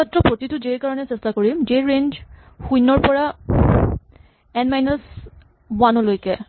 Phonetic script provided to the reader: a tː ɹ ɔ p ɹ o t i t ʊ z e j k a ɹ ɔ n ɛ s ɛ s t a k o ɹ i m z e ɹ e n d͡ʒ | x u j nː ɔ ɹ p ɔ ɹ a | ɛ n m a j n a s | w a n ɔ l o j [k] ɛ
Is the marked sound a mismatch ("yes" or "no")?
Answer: no